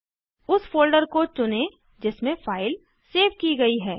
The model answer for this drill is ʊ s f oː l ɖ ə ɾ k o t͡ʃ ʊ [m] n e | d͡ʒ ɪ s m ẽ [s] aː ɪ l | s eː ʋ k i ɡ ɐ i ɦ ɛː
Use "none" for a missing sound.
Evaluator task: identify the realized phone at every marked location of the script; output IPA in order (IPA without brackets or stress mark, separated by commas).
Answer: none, f